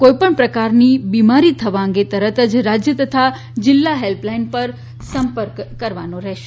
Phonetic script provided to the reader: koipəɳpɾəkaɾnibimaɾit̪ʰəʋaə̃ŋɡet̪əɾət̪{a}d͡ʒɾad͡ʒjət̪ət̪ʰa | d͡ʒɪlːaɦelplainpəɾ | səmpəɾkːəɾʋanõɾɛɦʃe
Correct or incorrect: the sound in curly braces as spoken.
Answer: incorrect: ə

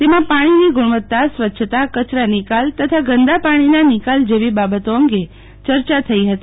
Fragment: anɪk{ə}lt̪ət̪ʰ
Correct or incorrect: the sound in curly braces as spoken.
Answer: incorrect: a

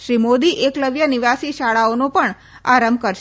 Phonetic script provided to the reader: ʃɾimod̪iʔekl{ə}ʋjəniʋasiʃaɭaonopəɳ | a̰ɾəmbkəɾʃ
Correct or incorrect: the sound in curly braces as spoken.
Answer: correct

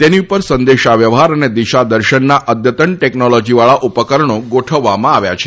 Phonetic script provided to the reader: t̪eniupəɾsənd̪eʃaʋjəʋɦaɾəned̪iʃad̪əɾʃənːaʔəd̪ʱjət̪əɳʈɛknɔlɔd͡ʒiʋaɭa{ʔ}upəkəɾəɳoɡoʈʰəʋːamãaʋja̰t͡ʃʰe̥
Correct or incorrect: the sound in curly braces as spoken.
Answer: correct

